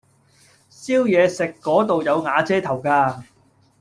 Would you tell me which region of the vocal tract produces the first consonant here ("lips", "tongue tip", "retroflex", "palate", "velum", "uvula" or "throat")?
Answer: tongue tip